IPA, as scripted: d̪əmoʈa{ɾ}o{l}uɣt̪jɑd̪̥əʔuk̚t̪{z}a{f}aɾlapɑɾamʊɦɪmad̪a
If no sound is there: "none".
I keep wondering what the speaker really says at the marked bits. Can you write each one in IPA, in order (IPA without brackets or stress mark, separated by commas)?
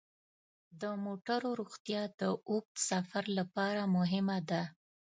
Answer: ɾ, ɾ, s, f